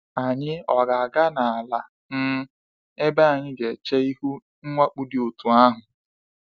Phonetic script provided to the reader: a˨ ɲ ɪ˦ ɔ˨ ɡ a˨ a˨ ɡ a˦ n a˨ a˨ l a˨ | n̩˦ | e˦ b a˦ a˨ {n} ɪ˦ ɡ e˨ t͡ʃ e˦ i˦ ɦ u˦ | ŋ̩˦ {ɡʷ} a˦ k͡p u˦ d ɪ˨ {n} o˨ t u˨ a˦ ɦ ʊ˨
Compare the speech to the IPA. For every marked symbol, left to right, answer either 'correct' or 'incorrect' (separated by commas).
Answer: incorrect, incorrect, incorrect